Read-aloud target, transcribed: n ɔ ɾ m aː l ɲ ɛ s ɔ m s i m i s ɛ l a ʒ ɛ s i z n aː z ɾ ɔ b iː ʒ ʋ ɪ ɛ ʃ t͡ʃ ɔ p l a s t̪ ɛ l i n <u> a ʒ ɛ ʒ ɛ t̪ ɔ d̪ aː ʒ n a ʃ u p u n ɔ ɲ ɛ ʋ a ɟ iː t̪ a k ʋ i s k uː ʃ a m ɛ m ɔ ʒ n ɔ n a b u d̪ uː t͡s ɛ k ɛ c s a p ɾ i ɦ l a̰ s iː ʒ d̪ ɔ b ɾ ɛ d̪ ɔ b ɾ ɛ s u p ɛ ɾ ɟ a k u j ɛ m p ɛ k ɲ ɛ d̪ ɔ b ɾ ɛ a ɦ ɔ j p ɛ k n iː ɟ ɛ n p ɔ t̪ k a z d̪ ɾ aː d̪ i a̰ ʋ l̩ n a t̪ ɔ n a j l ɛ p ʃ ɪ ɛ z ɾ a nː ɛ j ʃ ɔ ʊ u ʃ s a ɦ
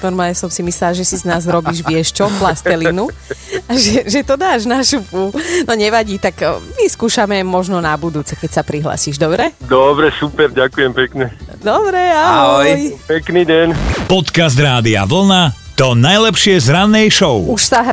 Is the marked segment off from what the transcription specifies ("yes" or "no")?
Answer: no